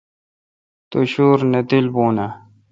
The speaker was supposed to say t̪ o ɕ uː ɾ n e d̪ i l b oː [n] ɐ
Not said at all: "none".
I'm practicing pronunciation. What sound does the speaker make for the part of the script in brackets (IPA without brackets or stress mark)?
n